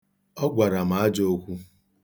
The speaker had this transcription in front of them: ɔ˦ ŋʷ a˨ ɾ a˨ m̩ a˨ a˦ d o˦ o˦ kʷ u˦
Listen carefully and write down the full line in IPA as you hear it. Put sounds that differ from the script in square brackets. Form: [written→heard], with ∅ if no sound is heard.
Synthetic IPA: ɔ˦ [ŋʷ→ɡʷ] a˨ ɾ a˨ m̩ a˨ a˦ [d→d͡ʒ] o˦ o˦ kʷ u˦